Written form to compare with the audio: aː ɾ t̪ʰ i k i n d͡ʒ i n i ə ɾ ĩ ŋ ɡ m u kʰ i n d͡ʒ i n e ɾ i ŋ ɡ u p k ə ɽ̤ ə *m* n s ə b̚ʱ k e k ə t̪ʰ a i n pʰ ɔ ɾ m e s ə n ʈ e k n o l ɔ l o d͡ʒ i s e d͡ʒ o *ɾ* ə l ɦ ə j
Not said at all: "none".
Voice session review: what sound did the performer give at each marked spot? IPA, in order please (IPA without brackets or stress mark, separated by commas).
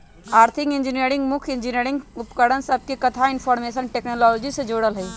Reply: none, ɽ